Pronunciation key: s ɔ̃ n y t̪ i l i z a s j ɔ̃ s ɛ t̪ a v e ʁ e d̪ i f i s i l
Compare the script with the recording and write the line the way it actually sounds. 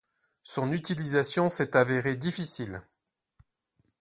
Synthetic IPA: s ɔ̃ n y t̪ i l i z a s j ɔ̃ s ɛ t̪ a v e ʁ e d̪ i f i s i l